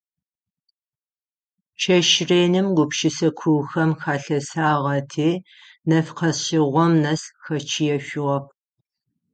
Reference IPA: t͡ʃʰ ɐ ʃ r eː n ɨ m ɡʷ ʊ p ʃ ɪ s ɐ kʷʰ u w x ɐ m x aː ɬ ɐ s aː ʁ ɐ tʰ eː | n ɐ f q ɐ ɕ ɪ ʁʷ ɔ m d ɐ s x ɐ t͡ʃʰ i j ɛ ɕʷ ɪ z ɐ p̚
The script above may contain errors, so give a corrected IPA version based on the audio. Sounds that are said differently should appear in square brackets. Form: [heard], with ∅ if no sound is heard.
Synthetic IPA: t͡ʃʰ ɐ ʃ r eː n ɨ m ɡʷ ʊ p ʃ ɪ s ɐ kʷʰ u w x ɐ m x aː ɬ ɐ s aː ʁ ɐ tʰ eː | n ɐ f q ɐ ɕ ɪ ʁʷ ɔ m [n] ɐ s x ɐ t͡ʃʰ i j ɛ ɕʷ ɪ [ʁ] ɐ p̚